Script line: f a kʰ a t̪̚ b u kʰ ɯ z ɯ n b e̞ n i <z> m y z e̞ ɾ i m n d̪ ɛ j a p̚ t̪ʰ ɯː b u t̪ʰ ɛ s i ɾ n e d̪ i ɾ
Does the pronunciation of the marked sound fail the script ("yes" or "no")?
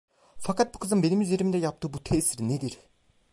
yes